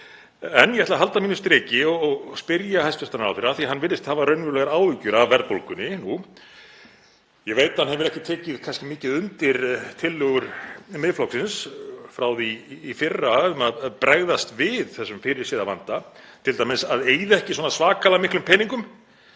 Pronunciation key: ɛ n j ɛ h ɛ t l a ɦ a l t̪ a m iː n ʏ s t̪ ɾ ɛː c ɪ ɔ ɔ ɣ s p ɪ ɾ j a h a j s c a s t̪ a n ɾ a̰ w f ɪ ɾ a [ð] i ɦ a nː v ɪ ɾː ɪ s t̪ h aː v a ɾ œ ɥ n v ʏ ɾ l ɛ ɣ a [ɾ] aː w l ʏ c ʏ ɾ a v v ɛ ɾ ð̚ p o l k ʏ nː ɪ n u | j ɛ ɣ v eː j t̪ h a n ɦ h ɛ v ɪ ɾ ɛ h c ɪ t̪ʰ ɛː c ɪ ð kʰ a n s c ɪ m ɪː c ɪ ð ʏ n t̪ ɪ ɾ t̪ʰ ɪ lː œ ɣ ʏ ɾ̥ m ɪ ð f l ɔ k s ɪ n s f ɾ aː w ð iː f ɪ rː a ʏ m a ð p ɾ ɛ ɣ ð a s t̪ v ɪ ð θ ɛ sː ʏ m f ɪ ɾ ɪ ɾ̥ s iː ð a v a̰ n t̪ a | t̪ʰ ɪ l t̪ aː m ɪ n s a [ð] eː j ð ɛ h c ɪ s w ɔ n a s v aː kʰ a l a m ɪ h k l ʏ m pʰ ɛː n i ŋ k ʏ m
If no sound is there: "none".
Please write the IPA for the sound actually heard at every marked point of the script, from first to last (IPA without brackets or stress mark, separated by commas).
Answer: θ, ɾ, ð